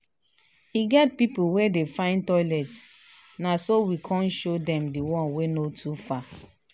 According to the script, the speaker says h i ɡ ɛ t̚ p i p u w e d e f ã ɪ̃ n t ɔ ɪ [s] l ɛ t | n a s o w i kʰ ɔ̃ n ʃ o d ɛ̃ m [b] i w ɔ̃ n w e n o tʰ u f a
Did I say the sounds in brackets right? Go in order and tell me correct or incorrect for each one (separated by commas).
incorrect, incorrect